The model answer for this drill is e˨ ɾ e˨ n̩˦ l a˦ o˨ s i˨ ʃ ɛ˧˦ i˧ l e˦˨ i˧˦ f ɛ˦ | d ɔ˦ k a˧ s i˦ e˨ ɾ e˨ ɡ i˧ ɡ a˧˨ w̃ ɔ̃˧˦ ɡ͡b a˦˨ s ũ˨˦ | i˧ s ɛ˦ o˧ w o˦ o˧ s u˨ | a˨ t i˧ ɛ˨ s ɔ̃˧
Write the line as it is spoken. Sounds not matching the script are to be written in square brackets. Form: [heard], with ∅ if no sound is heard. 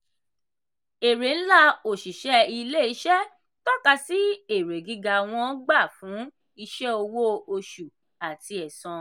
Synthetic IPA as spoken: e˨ ɾ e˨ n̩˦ l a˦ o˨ [ʃ] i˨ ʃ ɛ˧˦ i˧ l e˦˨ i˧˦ [ʃ] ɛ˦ | [t] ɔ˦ k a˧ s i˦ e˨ ɾ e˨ ɡ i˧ ɡ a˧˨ w̃ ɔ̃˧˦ ɡ͡b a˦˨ [f] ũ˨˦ | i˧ [ʃ] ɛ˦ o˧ w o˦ o˧ [ʃ] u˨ | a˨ t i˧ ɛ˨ s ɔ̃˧